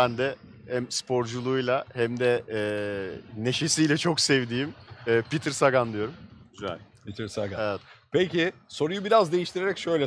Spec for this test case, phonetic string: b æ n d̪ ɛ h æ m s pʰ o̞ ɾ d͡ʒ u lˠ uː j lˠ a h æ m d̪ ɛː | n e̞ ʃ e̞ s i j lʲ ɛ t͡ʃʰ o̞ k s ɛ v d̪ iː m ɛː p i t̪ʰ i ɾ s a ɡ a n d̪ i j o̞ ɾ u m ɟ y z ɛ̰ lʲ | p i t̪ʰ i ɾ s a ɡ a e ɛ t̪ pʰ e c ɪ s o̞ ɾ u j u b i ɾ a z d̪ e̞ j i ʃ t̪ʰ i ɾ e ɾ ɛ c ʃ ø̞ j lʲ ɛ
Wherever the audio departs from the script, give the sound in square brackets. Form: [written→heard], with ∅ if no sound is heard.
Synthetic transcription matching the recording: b æ n d̪ ɛ h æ m s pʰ o̞ ɾ d͡ʒ u lˠ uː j lˠ a h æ m d̪ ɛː | n e̞ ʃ e̞ s i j lʲ ɛ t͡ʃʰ o̞ k s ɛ v d̪ iː m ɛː p i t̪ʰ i ɾ s a ɡ a n d̪ i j o̞ ɾ u m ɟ y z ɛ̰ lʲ | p i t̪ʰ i ɾ s a ɡ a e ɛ t̪ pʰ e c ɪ s o̞ ɾ u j u b i ɾ a z d̪ e̞ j i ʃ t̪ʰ i ɾ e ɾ ɛ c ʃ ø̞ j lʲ ɛ